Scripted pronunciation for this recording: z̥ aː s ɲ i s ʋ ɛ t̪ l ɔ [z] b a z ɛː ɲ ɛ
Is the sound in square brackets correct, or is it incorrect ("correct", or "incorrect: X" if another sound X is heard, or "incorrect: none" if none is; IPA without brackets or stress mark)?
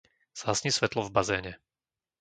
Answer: incorrect: v